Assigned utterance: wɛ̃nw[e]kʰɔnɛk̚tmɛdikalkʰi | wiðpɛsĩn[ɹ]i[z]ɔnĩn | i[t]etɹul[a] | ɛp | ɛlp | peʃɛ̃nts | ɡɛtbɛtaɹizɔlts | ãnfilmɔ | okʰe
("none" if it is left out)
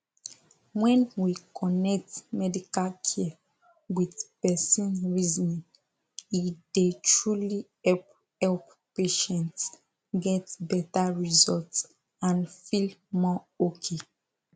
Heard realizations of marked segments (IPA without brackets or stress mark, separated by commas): i, ɹ, z, d, i